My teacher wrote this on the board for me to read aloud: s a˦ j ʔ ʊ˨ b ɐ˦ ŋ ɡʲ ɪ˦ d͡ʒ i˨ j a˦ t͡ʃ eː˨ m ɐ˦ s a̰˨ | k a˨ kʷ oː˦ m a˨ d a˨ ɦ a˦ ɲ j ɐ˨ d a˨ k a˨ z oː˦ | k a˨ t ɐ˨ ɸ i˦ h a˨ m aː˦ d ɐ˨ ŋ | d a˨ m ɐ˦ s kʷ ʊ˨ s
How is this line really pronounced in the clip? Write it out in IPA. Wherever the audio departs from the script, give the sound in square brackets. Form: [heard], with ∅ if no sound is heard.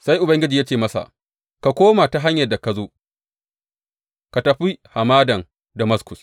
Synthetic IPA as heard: s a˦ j ʔ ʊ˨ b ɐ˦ ŋ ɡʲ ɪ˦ d͡ʒ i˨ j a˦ t͡ʃ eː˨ m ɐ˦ s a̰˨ | k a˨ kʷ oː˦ m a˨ [t] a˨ ɦ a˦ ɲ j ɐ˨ d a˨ k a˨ z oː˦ | k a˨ t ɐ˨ ɸ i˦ h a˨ m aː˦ d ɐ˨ ŋ | d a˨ m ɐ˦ s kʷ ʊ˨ s